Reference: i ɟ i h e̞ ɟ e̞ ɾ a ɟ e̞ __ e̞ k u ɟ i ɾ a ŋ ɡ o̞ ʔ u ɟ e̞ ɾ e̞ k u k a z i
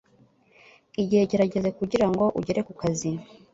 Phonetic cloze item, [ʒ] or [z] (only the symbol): z